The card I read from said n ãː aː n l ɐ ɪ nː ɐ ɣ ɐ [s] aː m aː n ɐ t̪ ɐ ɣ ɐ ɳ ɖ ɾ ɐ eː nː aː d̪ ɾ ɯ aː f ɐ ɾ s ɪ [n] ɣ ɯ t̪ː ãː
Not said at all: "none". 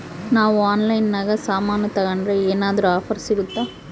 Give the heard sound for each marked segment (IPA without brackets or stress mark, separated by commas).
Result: s, none